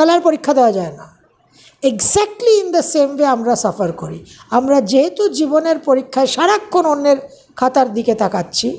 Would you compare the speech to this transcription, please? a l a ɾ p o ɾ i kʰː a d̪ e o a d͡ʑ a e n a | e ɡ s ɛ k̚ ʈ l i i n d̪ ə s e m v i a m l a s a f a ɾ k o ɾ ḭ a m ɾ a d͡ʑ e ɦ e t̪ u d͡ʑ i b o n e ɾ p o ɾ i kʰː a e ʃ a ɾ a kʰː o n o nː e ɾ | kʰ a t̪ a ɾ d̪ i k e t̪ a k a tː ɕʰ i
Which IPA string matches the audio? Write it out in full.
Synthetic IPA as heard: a l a ɾ p o ɾ i kʰː a d̪ e o a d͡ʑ a e n a | e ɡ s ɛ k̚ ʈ l i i n d̪ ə s e m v e a m ɾ a s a f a ɾ k o ɾ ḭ a m ɾ a d͡ʑ e ɦ e t̪ u d͡ʑ i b o n e ɾ p o ɾ i kʰː a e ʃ a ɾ a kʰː o n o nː e ɾ | kʰ a t̪ a ɾ d̪ i k e t̪ a k a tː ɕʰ i